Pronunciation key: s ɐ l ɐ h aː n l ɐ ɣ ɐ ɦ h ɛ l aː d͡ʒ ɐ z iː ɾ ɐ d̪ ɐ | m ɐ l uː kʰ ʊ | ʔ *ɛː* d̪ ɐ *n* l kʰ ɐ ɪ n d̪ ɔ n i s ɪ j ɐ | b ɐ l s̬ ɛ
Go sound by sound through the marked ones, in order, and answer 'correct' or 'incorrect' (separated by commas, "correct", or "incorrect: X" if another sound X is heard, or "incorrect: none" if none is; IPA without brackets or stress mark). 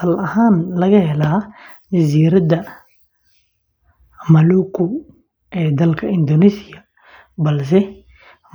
correct, incorrect: none